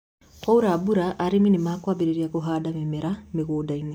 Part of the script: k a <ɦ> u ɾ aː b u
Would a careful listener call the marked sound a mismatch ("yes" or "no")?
yes